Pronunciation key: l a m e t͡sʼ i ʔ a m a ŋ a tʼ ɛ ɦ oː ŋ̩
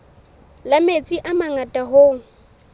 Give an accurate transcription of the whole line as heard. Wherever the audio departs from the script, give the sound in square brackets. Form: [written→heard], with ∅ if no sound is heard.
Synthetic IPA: l a m e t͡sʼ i ʔ a m a ŋ a tʼ [ɛ→a] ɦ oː ŋ̩